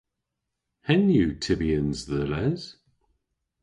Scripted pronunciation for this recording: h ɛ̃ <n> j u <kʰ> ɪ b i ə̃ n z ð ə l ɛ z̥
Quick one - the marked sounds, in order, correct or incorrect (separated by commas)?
correct, incorrect